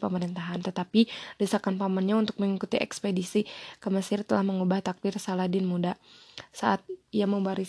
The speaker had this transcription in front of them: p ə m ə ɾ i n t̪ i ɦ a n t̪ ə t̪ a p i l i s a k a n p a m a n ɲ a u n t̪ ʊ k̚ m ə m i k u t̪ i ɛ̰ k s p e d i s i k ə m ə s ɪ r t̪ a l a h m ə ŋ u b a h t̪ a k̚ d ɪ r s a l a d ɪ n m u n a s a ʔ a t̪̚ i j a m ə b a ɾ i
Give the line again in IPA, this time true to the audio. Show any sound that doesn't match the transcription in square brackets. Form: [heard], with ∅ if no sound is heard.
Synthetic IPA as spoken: p ə m ə ɾ i n t̪ [a] ɦ a n t̪ ə t̪ a p i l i s a k a n p a m a n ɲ a u n t̪ ʊ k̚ m ə [ŋ] i k u t̪ i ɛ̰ k s p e d i s i k ə m ə s ɪ r t̪ [ə] l a h m ə ŋ u b a h t̪ a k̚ d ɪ r s a l a d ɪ n m u [d] a s a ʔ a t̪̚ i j a m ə b a ɾ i